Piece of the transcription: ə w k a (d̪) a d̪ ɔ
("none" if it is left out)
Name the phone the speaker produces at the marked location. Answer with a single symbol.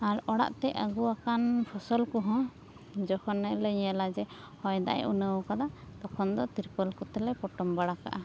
d̪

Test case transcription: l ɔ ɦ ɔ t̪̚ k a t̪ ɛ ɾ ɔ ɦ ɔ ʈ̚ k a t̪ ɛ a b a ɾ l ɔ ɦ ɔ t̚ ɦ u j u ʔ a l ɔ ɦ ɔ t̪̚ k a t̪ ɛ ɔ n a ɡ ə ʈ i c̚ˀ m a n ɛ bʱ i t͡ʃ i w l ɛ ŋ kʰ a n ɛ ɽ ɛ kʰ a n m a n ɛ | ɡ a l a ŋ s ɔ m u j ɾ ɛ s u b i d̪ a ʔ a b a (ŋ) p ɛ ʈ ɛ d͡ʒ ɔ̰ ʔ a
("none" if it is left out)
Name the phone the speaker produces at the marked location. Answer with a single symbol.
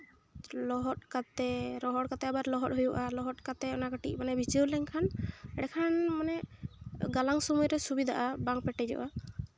ŋ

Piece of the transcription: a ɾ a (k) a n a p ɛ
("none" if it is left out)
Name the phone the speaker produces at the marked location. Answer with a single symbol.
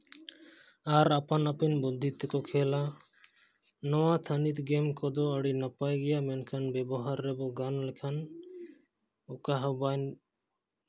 p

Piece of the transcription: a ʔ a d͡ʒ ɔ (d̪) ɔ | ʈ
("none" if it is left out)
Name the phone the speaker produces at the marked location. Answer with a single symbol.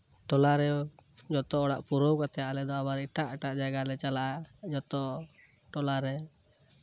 t̪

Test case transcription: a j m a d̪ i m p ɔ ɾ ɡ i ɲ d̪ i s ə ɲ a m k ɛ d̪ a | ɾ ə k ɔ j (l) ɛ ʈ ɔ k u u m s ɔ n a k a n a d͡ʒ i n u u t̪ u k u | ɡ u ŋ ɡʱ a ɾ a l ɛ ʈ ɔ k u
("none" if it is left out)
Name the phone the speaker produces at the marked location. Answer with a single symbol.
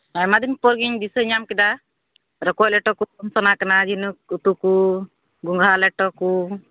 l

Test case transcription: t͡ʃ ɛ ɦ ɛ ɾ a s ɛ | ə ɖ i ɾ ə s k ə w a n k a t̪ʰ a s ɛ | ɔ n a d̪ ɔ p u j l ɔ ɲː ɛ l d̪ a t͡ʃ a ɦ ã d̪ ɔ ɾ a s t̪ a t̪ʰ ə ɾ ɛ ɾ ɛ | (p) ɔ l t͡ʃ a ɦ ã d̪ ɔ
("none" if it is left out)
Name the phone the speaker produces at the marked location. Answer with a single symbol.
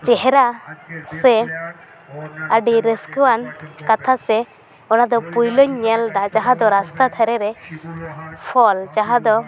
pʰ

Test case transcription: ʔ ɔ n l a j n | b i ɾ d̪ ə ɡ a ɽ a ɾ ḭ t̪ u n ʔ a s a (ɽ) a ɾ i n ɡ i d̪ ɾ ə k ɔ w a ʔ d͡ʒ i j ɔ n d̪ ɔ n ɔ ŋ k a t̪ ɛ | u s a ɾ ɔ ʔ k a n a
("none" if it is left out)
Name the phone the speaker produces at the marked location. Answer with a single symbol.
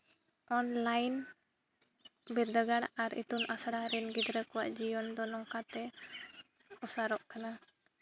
ɽ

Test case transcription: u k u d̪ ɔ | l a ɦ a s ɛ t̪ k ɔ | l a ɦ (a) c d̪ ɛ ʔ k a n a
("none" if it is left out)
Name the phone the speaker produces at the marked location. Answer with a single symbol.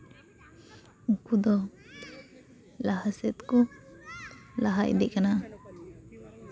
a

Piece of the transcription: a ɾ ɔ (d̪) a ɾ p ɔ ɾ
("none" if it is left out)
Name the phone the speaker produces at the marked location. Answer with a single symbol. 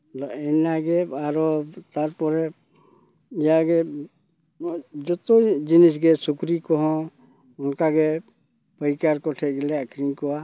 t̪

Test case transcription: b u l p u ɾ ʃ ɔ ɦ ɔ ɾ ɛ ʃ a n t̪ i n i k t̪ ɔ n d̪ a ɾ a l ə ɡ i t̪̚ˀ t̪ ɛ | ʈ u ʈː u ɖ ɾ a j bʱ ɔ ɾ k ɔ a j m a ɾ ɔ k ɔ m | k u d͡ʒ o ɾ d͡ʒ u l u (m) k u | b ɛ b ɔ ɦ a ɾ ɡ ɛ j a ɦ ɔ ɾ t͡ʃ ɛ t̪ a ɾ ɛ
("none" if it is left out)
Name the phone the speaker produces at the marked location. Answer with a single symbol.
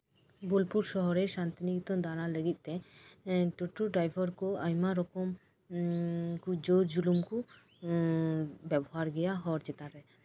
m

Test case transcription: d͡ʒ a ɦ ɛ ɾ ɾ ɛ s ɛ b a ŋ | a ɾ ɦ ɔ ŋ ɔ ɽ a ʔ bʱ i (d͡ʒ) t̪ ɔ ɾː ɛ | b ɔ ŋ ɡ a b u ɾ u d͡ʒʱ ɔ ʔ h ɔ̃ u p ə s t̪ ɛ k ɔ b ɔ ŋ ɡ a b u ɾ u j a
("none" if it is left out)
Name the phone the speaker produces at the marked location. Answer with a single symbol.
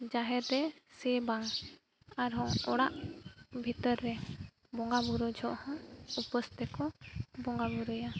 none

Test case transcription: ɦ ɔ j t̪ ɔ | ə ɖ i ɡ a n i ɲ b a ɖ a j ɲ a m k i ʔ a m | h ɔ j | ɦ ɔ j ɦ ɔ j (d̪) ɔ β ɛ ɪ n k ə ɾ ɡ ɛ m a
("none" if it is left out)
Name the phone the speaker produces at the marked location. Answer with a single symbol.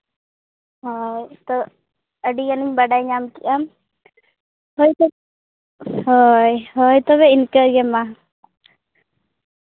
t̪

